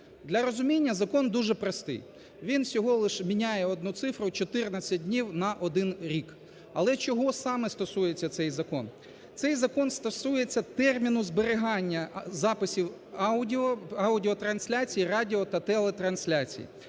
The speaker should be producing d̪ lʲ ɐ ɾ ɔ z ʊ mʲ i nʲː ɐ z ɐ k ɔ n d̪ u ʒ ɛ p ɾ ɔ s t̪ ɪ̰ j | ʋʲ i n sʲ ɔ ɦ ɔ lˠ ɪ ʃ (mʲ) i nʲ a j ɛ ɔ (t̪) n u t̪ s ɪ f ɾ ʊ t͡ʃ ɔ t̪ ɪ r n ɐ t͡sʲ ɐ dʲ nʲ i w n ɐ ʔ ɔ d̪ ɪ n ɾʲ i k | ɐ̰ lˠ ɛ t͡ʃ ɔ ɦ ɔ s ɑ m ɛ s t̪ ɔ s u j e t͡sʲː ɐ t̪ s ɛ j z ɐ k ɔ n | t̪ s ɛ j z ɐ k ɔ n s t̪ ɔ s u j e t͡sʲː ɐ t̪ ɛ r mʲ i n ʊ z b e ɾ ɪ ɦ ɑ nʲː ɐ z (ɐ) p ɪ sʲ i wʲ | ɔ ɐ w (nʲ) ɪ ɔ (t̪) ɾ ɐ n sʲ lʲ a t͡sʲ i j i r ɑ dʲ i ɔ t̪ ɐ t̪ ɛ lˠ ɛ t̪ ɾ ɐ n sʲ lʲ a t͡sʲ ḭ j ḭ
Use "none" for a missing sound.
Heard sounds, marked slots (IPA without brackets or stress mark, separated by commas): mʲ, d̪, ɑ, dʲ, t̪